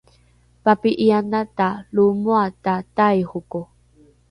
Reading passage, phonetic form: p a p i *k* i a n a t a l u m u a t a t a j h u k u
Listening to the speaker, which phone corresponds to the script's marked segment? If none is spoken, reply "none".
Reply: ʔ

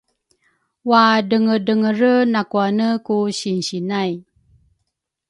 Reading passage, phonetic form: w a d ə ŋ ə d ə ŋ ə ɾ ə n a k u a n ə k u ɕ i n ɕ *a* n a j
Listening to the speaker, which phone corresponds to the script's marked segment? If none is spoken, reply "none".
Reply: i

